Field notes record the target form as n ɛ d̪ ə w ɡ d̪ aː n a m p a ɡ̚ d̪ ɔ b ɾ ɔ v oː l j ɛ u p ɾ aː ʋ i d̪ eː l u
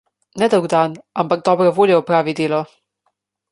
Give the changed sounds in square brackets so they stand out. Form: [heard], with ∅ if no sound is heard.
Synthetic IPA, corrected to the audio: n ɛ d̪ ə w ɡ d̪ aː n a m p a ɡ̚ d̪ ɔ b ɾ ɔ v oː l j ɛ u p ɾ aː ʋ i d̪ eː l [ɔ]